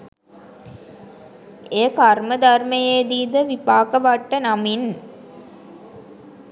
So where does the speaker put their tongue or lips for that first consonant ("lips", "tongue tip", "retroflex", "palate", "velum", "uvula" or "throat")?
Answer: velum